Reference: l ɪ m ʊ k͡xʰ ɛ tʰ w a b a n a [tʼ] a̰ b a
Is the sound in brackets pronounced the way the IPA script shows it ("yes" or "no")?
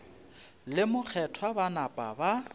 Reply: no